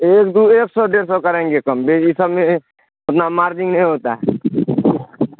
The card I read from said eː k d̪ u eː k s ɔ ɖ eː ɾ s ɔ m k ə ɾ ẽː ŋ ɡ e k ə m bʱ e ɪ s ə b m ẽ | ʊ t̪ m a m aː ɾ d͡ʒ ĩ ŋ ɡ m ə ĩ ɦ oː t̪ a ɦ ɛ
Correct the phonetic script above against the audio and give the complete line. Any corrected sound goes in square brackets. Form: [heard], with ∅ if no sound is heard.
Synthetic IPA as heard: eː k d̪ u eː k s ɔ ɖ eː ɾ s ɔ [∅] k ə ɾ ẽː ŋ ɡ e k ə m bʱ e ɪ s ə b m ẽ | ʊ t̪ [n] a m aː ɾ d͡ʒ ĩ ŋ ɡ [n] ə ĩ ɦ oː t̪ a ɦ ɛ